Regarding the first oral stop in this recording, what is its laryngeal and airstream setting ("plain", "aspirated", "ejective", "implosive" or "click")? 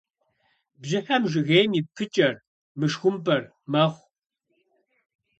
plain